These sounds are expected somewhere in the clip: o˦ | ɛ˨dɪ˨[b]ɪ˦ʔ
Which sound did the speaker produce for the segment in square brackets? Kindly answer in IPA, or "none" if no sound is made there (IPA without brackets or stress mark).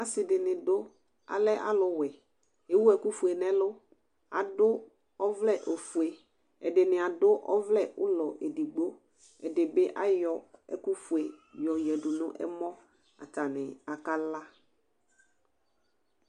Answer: b